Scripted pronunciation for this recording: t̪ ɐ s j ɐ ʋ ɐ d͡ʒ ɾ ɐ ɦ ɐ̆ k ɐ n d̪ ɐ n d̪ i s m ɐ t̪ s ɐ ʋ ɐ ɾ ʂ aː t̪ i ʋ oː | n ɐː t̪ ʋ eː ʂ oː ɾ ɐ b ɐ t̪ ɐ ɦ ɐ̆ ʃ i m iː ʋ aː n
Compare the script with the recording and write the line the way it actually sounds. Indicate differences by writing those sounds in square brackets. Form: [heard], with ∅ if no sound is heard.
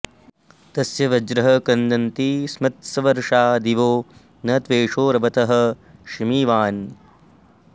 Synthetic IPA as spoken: t̪ ɐ s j ɐ ʋ ɐ d͡ʒ ɾ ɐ ɦ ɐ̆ k ɐ n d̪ ɐ n [t̪] i s m ɐ t̪ s ɐ ʋ ɐ ɾ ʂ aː [d̪] i ʋ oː | n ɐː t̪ ʋ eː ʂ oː ɾ ɐ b ɐ t̪ ɐ ɦ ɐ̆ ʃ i m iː ʋ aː n